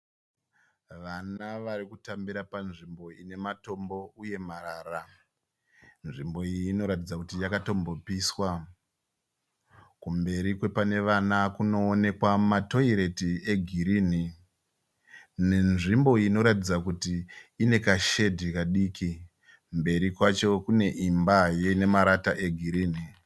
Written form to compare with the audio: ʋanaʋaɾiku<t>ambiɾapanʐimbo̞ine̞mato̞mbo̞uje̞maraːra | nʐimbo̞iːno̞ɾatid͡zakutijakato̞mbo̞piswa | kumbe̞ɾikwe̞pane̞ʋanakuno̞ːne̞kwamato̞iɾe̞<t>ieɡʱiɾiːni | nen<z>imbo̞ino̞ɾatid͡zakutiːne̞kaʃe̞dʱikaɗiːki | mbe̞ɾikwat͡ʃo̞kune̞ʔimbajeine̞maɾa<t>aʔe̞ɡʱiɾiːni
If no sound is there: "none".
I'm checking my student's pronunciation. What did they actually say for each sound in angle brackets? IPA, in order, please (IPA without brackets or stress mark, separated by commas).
t, t, ʐ, t